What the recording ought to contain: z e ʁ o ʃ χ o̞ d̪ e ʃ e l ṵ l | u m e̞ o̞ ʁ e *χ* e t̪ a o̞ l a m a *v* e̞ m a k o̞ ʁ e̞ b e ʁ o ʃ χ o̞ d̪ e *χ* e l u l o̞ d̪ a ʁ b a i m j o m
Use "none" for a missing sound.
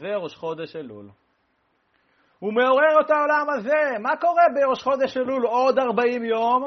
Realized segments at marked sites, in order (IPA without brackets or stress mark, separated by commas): ʁ, z, ʃ